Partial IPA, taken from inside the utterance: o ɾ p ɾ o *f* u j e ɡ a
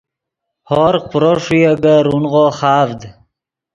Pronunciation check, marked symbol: incorrect: ʂ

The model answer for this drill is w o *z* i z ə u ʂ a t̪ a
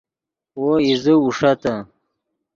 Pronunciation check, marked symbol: incorrect: none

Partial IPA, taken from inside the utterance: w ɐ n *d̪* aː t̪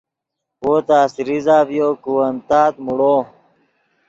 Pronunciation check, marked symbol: incorrect: t̪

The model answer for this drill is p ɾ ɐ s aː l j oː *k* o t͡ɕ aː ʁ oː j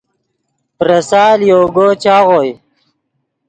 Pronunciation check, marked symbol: incorrect: ɡ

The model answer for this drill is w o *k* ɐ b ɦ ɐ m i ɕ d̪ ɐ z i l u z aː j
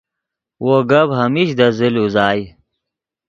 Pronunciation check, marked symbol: incorrect: ɡ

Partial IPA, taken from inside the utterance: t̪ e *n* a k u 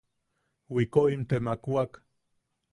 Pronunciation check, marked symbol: incorrect: m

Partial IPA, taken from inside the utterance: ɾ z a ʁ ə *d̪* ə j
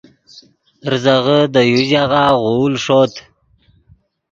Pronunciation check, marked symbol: correct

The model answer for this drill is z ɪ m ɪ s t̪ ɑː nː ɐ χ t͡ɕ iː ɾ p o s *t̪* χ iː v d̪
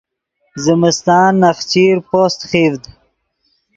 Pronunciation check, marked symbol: correct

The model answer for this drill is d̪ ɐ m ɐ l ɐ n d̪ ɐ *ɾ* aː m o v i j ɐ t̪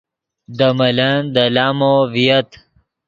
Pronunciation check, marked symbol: incorrect: l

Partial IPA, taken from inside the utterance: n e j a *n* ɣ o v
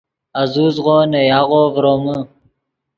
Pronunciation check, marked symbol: incorrect: none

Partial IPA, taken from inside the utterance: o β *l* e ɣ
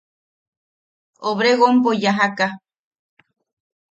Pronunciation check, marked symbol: incorrect: ɾ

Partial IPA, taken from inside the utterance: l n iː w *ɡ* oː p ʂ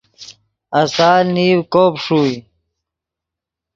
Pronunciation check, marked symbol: incorrect: k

